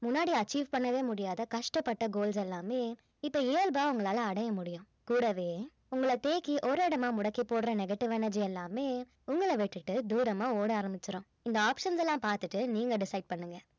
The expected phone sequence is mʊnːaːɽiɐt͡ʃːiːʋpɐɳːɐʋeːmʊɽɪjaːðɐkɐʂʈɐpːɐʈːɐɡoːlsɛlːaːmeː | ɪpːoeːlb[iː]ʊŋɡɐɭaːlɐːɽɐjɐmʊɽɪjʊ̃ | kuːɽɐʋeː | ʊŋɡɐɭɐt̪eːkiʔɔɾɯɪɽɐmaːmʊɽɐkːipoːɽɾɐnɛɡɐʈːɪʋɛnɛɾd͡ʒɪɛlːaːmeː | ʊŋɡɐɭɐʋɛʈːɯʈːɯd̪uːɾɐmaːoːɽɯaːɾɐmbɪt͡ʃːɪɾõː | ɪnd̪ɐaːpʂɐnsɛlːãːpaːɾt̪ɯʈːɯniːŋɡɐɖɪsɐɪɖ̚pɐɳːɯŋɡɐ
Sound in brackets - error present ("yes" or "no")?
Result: yes